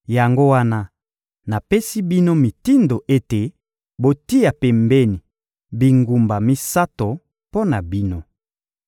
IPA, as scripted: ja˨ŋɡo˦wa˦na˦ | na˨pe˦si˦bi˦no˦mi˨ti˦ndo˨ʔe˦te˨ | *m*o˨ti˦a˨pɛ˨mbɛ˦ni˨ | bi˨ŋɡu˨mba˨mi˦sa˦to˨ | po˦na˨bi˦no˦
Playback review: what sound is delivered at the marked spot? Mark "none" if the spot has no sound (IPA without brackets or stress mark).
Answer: b